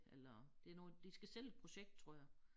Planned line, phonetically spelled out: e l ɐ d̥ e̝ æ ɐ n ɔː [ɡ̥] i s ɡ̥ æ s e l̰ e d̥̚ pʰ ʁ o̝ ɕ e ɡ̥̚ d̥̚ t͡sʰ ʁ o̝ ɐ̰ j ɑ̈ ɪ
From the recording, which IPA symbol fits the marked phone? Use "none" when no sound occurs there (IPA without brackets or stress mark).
d̥